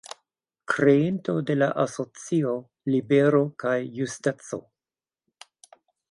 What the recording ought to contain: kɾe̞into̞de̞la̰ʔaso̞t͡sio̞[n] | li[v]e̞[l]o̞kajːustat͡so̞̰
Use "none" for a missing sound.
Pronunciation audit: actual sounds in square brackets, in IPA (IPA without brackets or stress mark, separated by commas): none, b, ɾ